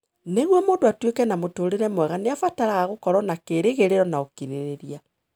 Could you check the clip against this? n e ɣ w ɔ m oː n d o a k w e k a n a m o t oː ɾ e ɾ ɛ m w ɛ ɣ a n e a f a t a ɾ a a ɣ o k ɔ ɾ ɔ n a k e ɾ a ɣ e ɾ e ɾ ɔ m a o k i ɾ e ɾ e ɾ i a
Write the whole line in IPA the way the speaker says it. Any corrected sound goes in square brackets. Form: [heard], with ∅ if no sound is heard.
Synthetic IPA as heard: n e ɣ w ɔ m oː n d o a [t] w e k [ɛ] n a m o t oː ɾ e ɾ ɛ m w ɛ ɣ a n e a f a t a ɾ a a ɣ o k ɔ ɾ ɔ n a k e ɾ [e] ɣ e ɾ e ɾ ɔ [n] a o k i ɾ e ɾ e ɾ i a